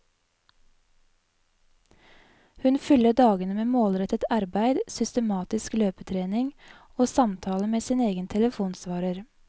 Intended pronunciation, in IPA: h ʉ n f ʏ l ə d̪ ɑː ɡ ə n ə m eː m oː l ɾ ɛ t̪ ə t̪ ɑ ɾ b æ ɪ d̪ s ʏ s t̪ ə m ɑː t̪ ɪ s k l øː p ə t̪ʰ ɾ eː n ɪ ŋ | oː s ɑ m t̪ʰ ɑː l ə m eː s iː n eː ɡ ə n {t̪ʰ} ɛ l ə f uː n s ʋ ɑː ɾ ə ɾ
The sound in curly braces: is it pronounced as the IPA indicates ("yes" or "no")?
yes